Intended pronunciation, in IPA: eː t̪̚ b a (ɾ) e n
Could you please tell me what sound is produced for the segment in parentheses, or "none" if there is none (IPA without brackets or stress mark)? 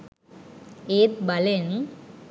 l